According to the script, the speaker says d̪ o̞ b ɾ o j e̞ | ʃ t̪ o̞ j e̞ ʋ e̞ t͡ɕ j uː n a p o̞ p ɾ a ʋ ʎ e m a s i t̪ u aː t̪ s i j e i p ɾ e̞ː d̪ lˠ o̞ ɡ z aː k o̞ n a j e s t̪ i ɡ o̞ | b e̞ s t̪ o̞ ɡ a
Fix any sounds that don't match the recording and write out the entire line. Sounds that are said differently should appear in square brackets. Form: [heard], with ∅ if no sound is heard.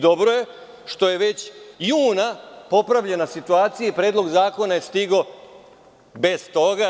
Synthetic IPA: d̪ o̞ b ɾ o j e̞ | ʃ t̪ o̞ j e̞ ʋ e̞ t͡ɕ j uː n a p o̞ p ɾ a ʋ ʎ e [n] a s i t̪ u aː t̪ s i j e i p ɾ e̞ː d̪ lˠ o̞ ɡ z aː k o̞ n a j e s t̪ i ɡ o̞ | b e̞ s t̪ o̞ ɡ a

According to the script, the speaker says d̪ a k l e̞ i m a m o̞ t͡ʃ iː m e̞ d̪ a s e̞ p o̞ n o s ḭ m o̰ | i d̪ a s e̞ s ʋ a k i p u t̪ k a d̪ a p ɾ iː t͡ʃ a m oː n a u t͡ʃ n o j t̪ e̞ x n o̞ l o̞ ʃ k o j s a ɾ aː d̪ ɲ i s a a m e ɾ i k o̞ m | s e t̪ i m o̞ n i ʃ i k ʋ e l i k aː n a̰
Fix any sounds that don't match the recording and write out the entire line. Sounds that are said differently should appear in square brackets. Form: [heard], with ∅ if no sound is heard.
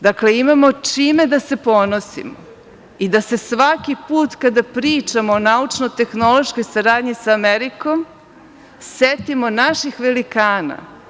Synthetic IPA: d̪ a k l e̞ i m a m o̞ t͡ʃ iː m e̞ d̪ a s e̞ p o̞ n o s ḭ m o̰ | i d̪ a s e̞ s ʋ a k i p [uː] t̪ k a d̪ a p ɾ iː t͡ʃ a m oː n a u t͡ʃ n o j t̪ e̞ x n o̞ l o̞ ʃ k o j s a ɾ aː d̪ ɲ i s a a m e ɾ i k o̞ m | s e t̪ i m o̞ n [a] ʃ i [x] ʋ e l i k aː n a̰

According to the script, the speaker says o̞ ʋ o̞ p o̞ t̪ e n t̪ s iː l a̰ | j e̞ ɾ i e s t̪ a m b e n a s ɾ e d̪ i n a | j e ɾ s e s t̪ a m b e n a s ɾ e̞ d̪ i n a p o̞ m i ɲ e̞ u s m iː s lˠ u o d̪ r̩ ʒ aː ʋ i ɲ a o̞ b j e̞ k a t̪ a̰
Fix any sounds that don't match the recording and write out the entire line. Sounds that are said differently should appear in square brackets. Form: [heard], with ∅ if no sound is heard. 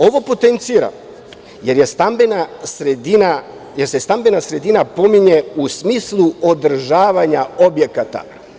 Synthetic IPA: o̞ ʋ o̞ p o̞ t̪ e n t̪ s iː [ɾ] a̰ | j e̞ ɾ [j] e s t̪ a m b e n a s ɾ e d̪ i n a | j e ɾ s e s t̪ a m b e n a s ɾ e̞ d̪ i n a p o̞ m i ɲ e̞ u s m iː s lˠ u o d̪ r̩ ʒ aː ʋ [a] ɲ a o̞ b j e̞ k a t̪ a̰

